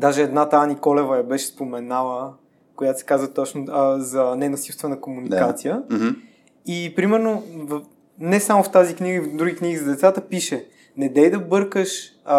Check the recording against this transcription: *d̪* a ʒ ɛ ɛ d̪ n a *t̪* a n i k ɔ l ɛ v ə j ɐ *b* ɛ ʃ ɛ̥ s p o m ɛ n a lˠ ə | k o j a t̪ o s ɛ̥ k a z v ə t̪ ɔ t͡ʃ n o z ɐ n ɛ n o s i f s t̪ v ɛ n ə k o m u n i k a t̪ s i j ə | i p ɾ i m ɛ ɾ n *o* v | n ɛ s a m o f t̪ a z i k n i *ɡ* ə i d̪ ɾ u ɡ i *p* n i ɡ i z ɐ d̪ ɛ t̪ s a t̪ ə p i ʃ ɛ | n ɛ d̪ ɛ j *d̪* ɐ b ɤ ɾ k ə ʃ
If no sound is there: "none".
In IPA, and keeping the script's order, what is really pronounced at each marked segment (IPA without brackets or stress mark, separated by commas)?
d̪, t̪, b, o, ɡ, k, d̪